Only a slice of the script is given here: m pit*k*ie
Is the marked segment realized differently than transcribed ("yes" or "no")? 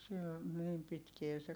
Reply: no